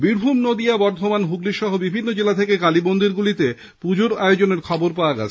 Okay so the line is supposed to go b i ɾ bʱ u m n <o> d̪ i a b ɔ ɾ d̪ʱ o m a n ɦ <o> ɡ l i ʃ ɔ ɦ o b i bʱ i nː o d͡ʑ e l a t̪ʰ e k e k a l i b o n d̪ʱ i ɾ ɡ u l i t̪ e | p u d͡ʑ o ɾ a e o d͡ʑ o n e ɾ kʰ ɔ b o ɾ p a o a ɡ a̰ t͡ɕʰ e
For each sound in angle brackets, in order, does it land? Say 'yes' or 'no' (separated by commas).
yes, no